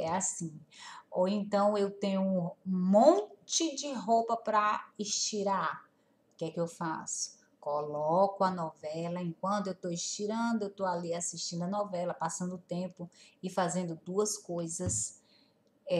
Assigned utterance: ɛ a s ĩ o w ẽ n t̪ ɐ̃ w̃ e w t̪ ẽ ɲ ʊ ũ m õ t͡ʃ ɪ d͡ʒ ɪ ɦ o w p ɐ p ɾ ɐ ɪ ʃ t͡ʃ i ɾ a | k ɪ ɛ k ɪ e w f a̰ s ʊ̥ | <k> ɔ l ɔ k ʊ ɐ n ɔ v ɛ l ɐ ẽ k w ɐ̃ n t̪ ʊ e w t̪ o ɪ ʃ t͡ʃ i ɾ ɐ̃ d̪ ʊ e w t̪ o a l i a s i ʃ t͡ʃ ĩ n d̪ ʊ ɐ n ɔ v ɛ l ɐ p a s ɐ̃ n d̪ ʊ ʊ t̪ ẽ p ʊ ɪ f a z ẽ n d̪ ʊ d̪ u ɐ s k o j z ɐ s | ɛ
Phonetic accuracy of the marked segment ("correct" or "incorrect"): correct